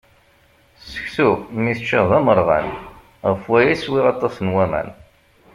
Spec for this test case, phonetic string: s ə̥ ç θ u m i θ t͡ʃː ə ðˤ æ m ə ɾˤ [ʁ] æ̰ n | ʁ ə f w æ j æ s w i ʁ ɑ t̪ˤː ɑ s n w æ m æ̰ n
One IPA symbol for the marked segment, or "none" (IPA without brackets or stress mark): ʁ